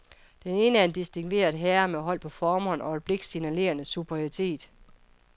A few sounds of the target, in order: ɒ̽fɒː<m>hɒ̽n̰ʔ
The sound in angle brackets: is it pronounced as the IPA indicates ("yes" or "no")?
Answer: yes